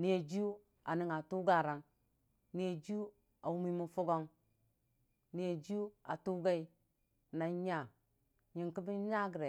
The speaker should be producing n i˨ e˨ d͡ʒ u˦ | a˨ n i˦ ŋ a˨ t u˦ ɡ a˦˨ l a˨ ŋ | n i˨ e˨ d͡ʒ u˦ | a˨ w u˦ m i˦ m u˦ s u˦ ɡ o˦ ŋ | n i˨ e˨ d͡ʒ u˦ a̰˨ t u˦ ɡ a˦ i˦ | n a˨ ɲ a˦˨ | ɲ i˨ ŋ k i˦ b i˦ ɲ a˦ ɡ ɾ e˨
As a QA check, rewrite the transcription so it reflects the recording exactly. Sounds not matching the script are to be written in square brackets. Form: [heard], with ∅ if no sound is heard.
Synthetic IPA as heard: n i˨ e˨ d͡ʒ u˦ | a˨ n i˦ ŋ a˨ t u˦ ɡ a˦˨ [ɾ] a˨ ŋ | n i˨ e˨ d͡ʒ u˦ | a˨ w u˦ m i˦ m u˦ [f] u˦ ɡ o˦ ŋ | n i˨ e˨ d͡ʒ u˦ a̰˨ t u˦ ɡ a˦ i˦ | n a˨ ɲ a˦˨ | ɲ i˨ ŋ k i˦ b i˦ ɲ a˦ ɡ ɾ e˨